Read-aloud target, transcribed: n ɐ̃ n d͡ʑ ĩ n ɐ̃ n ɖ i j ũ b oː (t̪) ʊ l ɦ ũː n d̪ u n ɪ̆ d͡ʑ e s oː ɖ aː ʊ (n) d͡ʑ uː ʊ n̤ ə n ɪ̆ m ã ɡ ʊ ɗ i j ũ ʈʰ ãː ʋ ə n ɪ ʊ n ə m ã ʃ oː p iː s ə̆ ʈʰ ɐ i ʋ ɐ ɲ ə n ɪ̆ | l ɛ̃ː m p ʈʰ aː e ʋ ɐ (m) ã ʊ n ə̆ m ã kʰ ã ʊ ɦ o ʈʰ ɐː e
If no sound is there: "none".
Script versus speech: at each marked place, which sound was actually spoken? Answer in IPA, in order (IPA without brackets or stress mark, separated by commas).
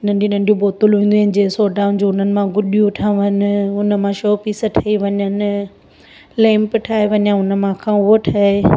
t̪, n, ɲ